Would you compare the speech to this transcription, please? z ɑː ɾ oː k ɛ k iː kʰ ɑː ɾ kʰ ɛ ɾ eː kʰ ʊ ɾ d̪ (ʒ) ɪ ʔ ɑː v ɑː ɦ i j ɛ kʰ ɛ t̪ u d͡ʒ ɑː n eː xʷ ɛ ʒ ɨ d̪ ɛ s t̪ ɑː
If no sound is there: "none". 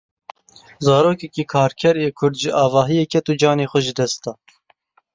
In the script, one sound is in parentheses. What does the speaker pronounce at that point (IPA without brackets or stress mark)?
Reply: ʒ